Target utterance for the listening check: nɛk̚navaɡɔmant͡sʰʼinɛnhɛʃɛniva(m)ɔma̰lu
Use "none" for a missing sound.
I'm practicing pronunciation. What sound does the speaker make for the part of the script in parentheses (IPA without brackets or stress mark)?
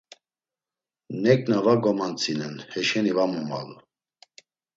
m